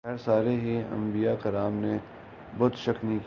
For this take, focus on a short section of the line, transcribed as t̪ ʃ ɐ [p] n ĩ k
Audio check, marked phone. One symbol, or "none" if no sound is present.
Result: k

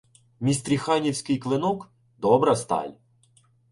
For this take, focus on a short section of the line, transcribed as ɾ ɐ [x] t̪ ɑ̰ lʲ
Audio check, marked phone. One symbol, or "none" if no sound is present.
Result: s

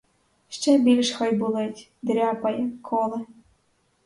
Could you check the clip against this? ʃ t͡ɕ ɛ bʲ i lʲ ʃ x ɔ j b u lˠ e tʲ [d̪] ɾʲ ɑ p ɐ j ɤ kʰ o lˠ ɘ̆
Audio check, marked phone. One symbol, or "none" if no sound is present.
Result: d̪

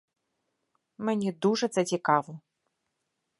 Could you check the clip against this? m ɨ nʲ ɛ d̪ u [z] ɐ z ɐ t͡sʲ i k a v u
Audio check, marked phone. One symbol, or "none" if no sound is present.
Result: ʐ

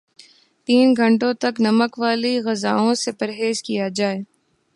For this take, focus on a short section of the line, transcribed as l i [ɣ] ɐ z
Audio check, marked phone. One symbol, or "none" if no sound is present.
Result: ɣ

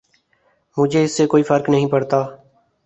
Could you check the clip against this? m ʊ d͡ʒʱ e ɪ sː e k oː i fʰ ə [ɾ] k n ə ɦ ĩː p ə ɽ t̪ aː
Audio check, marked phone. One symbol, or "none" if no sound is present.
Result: ɾ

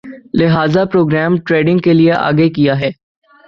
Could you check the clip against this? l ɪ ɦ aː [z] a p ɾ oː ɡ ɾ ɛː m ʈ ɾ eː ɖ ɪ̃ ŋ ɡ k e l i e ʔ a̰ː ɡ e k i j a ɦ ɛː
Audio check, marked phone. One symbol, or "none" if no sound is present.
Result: z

